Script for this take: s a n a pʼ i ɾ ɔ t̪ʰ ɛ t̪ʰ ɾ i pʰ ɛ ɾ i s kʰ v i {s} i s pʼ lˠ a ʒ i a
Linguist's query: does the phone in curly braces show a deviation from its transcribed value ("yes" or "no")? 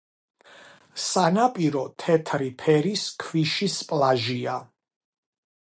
yes